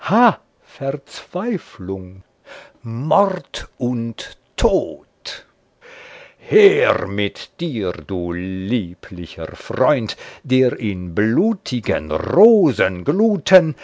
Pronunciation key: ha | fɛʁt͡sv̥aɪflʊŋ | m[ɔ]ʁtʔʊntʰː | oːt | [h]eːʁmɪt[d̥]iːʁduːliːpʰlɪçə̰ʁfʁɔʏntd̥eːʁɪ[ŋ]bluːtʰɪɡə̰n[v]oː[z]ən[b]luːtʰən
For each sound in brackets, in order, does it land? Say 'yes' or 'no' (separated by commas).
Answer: yes, yes, yes, no, no, yes, no